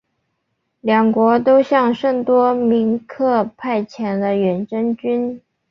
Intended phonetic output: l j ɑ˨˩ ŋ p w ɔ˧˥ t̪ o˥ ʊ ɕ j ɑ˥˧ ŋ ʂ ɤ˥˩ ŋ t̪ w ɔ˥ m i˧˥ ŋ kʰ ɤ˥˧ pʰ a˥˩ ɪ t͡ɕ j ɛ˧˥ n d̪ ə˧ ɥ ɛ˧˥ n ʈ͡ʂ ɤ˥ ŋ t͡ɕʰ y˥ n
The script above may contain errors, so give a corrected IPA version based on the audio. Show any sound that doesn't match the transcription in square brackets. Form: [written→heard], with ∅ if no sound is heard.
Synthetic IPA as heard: l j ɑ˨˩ ŋ [p→k] w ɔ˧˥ t̪ o˥ ʊ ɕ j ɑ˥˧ ŋ ʂ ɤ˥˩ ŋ t̪ w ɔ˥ m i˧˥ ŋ kʰ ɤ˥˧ pʰ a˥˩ ɪ [t͡ɕ→t͡ɕʰ] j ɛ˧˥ n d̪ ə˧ ɥ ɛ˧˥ n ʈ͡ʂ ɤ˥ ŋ [t͡ɕʰ→t͡ɕ] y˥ n